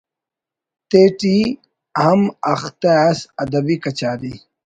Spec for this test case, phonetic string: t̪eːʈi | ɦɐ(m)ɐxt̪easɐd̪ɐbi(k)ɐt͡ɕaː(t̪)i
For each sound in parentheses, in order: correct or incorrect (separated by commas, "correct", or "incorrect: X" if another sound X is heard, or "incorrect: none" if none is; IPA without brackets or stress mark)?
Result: correct, correct, incorrect: d̪